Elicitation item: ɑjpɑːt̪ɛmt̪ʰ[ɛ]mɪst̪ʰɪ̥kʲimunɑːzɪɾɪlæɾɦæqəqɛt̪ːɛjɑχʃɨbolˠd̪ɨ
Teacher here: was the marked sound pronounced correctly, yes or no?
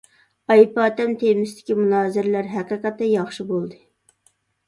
no